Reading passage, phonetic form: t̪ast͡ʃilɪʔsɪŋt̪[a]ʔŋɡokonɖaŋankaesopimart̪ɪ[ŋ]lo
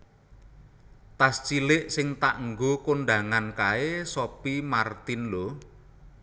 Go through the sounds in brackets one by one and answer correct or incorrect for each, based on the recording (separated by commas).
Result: correct, incorrect